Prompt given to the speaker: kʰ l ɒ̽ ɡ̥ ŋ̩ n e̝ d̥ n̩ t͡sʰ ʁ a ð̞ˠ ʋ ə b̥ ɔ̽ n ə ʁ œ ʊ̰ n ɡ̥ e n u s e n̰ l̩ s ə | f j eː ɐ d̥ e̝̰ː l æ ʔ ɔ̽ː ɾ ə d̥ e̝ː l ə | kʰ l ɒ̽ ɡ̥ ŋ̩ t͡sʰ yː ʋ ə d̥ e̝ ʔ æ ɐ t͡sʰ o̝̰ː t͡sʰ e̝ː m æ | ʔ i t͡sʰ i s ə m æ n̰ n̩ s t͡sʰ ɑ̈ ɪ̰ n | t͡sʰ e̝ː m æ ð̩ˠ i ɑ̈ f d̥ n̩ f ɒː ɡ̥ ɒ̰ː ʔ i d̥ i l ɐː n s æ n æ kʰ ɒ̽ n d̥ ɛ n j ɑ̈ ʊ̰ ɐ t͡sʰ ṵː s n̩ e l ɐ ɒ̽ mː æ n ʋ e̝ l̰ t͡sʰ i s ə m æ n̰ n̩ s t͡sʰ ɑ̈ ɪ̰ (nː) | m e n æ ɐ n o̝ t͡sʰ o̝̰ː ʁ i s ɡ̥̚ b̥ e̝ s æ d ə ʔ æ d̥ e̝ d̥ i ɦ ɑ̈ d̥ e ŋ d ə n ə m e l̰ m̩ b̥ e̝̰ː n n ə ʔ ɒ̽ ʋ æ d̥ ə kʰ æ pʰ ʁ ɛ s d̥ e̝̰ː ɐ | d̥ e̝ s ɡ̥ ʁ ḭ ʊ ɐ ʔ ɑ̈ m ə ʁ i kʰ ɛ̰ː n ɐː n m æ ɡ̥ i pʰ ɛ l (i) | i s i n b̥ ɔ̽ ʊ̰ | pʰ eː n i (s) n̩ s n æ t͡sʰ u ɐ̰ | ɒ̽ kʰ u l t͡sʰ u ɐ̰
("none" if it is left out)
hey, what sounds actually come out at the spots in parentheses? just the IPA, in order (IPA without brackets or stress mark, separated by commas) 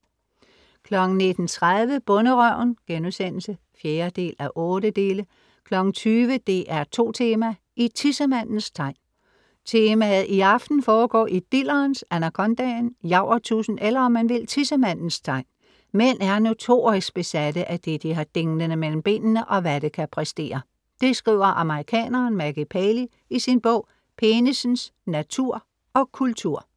n, i, s